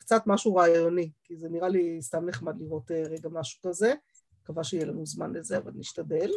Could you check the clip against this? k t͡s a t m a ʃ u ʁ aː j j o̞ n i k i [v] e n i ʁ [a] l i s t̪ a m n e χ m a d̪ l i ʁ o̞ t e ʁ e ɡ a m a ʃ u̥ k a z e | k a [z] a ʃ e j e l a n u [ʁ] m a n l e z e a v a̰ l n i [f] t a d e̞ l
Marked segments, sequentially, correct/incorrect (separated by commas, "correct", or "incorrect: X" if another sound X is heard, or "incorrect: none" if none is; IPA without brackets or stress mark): incorrect: z, correct, incorrect: v, incorrect: z, incorrect: ʃ